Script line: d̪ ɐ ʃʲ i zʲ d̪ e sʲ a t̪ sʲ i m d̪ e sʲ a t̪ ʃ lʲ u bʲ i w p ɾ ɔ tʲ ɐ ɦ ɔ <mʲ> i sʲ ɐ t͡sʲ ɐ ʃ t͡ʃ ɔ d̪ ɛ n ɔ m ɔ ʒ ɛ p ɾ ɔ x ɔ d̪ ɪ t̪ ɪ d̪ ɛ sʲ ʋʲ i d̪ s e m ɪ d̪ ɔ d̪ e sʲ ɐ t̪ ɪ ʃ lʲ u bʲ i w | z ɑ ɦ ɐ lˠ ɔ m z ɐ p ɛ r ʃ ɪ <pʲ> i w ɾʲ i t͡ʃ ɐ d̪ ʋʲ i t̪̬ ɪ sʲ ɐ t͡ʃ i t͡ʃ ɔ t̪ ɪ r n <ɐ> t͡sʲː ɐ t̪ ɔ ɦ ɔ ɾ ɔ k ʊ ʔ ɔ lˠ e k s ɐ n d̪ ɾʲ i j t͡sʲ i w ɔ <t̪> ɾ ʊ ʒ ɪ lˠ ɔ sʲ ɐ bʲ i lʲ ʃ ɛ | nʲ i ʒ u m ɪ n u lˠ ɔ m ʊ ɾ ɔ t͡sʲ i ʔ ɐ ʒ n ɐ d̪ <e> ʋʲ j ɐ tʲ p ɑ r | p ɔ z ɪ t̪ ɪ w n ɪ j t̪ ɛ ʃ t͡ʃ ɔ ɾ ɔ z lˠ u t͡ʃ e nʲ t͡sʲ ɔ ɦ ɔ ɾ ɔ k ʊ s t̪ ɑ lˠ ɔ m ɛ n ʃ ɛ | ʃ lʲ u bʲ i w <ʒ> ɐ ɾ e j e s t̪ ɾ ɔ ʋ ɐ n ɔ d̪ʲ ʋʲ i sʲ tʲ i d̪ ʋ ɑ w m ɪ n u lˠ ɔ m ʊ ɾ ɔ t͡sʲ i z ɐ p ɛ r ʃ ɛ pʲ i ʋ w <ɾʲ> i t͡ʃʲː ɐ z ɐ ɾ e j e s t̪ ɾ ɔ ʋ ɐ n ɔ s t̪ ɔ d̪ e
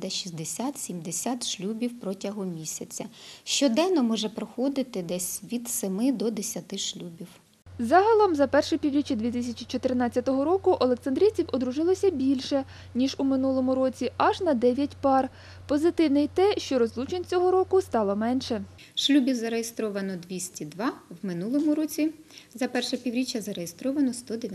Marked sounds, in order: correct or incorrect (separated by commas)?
correct, correct, incorrect, incorrect, incorrect, incorrect, correct